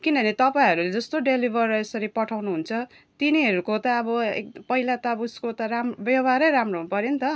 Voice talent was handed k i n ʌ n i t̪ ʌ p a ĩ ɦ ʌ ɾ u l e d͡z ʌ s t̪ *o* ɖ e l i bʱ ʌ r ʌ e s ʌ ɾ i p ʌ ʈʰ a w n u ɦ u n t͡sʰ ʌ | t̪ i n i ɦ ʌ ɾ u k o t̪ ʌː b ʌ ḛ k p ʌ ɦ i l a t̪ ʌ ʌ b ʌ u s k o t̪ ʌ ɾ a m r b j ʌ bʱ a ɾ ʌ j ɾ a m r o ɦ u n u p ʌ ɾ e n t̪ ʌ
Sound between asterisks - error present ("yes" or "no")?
no